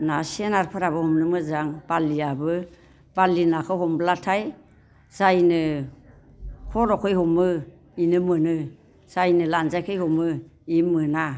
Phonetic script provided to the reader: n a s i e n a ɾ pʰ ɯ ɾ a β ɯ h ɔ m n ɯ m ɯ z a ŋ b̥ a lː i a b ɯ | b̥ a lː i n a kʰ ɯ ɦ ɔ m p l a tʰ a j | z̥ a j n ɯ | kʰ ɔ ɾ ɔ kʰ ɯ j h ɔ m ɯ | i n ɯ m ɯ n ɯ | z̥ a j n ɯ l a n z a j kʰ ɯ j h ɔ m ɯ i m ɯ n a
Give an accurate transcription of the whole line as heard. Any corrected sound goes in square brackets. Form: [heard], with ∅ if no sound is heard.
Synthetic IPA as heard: n a s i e n a ɾ pʰ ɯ ɾ a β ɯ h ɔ m n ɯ m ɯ z a ŋ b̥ a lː i a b ɯ | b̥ a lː i n a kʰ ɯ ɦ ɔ m [b] l a tʰ a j | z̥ a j n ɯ | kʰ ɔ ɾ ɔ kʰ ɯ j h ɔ m ɯ | i n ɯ m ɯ n ɯ | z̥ a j n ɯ l a n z a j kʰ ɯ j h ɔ m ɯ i m ɯ n a